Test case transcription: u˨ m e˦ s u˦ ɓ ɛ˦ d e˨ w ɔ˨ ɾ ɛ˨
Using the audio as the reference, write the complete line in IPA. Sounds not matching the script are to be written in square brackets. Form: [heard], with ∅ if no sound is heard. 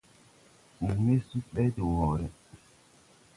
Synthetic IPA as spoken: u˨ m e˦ s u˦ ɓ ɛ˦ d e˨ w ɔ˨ ɾ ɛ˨